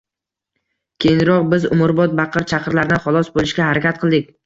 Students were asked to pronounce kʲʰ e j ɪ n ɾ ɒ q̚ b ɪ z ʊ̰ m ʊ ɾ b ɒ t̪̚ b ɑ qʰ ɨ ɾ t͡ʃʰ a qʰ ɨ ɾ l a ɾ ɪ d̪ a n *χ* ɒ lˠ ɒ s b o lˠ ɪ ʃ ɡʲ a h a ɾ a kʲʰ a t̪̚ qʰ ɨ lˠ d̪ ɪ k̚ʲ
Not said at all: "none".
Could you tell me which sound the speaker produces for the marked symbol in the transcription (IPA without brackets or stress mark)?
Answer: χ